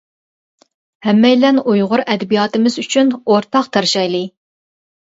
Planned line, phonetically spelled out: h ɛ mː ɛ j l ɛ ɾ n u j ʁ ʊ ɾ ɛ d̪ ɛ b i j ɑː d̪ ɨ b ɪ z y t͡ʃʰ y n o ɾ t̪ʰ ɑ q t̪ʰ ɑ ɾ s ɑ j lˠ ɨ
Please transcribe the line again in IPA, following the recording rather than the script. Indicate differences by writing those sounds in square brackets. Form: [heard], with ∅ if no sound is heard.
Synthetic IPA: h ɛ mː ɛ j l ɛ [∅] n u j ʁ ʊ ɾ ɛ d̪ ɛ b i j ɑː [t̪] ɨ [m] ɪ z y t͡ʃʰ y n o ɾ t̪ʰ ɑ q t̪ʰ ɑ ɾ [ʃ] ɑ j lˠ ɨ

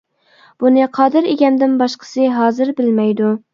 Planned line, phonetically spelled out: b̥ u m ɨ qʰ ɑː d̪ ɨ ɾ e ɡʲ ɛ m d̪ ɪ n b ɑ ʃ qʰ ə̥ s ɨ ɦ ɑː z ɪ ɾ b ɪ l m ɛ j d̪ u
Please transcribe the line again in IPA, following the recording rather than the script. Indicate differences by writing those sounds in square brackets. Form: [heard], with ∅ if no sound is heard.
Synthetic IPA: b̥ u [n] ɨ qʰ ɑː d̪ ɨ ɾ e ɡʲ ɛ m d̪ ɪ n b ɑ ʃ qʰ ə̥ s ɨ ɦ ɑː z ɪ ɾ b ɪ l m ɛ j d̪ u

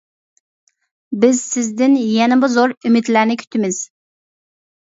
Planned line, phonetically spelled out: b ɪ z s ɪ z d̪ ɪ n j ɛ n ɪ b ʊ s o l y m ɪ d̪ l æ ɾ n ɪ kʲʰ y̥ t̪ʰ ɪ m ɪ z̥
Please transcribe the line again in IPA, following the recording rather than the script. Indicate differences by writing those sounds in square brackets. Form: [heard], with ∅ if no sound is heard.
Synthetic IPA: b ɪ z s ɪ z d̪ ɪ n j ɛ n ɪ b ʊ [z] o [ɾ] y m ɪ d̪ l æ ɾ n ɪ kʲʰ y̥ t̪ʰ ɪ m ɪ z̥

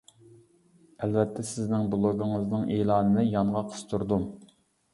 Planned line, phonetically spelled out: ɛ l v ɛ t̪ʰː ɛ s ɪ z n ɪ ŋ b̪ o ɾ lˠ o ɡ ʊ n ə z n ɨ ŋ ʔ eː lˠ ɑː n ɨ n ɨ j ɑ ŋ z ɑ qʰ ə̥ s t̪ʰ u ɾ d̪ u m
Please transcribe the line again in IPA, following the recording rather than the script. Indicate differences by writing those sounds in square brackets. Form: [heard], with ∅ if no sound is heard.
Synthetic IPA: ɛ l v ɛ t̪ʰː ɛ s ɪ z n ɪ ŋ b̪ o [∅] lˠ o ɡ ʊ [ŋ] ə z n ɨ ŋ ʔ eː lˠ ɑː n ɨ n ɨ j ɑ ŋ [ʁ] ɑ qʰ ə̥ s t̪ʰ u ɾ d̪ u m

